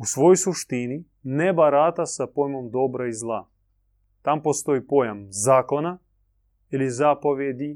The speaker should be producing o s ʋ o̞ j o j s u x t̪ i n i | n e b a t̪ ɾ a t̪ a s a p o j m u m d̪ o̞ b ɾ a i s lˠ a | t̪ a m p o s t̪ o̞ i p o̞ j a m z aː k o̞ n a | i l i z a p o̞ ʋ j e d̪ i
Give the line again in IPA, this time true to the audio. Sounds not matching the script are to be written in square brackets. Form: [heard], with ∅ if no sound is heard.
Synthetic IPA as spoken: [u] s ʋ o̞ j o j s u [ʃ] t̪ i n i | n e b a [∅] ɾ a t̪ a s a p o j m [o] m d̪ o̞ b ɾ a i [z] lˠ a | t̪ a m p o s t̪ o̞ i p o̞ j a m z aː k o̞ n a | i l i z a p o̞ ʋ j e d̪ i